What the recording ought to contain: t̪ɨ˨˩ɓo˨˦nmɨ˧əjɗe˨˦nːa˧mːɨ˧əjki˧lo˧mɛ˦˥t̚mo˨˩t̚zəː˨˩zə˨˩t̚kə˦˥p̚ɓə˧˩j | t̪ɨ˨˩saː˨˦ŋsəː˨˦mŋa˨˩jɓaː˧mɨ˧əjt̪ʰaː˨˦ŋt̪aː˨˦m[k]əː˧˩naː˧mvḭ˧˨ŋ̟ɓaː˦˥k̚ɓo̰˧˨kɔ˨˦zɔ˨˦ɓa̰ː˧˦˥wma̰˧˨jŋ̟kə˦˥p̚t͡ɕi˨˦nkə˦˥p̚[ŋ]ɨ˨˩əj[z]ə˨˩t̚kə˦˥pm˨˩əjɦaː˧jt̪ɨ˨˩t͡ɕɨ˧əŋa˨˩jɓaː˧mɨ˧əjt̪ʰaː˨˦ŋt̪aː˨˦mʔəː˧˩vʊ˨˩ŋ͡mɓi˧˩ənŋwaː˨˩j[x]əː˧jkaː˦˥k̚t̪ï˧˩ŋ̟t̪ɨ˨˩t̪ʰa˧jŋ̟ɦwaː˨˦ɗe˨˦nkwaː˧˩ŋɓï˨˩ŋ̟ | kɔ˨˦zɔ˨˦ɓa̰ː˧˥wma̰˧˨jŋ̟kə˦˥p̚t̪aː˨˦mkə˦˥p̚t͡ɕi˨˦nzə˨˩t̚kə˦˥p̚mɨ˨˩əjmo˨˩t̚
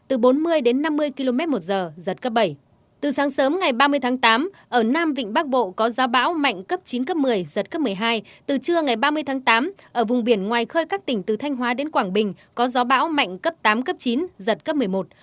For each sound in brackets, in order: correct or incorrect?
incorrect: ʔ, incorrect: m, correct, correct

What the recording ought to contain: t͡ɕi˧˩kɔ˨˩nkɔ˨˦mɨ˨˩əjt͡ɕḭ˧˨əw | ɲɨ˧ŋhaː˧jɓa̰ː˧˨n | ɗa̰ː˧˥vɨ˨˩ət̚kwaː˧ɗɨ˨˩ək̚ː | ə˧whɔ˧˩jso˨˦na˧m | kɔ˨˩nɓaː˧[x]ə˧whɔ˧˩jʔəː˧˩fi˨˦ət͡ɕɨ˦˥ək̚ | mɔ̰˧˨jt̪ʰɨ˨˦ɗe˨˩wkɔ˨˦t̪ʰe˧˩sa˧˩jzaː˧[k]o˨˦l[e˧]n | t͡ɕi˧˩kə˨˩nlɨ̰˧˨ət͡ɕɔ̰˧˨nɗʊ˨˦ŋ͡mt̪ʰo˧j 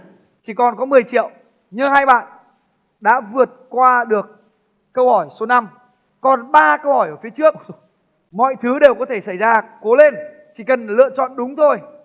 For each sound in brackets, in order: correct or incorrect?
incorrect: k, correct, correct

